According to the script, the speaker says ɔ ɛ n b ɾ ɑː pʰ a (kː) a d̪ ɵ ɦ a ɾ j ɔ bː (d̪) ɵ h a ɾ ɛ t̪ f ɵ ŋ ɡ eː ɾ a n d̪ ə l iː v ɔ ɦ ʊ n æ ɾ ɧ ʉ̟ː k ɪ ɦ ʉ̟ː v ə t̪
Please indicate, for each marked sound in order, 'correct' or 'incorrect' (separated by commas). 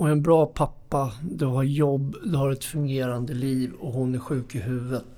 incorrect, correct